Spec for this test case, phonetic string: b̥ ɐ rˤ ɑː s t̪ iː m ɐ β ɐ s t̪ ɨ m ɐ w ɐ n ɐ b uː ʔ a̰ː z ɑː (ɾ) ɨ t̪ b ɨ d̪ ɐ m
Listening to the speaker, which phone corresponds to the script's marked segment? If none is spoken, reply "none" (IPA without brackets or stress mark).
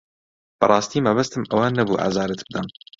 ɾ